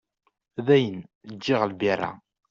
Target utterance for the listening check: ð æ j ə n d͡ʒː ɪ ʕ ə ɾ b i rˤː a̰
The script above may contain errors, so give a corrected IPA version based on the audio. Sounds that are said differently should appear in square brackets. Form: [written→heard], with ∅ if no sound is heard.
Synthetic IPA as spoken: ð æ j ə n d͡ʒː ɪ [ʕ→ʁ] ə [ɾ→l] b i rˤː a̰